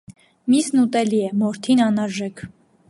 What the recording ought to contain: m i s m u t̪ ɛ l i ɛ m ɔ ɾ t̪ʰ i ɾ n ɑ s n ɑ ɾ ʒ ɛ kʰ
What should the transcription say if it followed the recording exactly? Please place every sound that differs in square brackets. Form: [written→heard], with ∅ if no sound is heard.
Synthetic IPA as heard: m i s [m→n] u t̪ ɛ l i ɛ m ɔ ɾ t̪ʰ i [ɾ→∅] n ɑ [s→∅] n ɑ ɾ ʒ ɛ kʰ